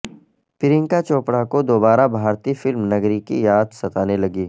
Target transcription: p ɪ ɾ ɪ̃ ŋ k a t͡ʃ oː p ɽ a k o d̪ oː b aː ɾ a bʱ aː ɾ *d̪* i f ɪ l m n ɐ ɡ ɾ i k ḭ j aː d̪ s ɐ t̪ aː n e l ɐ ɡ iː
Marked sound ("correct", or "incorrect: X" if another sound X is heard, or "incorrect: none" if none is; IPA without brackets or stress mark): incorrect: t̪